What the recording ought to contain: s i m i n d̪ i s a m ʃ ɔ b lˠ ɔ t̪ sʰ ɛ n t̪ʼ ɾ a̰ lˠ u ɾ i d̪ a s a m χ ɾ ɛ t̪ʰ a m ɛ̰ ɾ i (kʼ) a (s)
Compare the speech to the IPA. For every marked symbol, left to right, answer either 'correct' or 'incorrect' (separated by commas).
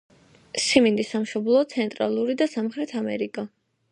correct, incorrect